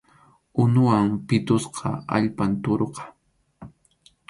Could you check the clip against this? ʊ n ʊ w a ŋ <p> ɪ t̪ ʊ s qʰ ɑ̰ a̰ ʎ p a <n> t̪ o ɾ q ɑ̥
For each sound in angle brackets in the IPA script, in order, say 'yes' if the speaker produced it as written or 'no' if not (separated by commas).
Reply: yes, yes